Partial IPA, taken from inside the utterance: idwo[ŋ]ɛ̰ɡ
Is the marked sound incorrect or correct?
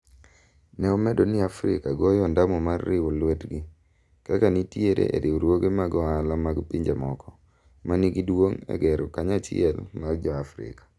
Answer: correct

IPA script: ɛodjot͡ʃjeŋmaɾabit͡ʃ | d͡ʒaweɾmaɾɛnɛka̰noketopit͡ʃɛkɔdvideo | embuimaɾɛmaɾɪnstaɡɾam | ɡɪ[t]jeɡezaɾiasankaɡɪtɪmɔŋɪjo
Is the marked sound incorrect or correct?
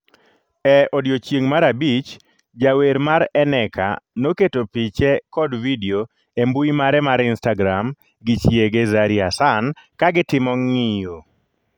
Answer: incorrect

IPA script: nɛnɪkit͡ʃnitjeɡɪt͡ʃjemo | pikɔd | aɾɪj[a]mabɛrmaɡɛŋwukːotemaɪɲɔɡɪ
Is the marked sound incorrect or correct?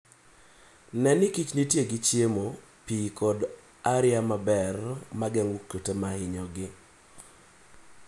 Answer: correct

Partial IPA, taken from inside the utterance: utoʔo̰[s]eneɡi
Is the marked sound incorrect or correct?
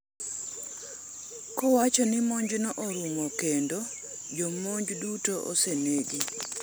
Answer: correct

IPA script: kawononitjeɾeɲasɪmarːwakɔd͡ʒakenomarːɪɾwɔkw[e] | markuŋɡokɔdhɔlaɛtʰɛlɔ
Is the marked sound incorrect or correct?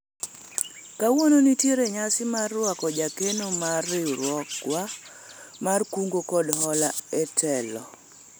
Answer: incorrect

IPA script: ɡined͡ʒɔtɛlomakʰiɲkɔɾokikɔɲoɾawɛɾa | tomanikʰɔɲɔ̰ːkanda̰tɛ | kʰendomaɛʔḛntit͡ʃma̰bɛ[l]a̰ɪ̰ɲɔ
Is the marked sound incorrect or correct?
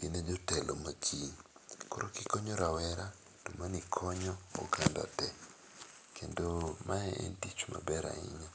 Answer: incorrect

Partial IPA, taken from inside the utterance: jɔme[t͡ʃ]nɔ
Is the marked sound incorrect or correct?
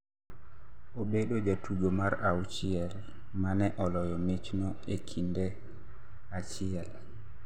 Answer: correct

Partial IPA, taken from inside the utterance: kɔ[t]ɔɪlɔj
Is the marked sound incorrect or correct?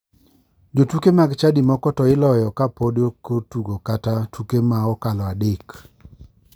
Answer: correct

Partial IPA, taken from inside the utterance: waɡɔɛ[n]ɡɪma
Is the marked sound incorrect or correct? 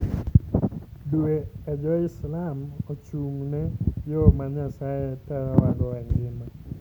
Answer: incorrect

